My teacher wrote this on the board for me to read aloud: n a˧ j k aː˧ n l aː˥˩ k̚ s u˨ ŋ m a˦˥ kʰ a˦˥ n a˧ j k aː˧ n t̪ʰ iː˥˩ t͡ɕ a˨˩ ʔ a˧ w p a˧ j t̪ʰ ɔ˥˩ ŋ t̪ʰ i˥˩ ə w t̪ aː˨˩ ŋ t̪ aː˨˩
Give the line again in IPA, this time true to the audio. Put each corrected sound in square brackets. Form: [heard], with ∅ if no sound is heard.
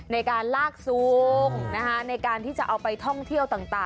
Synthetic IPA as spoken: n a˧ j k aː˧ n l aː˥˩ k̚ s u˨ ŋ [n] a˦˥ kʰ a˦˥ n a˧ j k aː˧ n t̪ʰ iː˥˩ t͡ɕ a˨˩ ʔ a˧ w p a˧ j t̪ʰ ɔ˥˩ ŋ t̪ʰ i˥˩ ə w t̪ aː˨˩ ŋ t̪ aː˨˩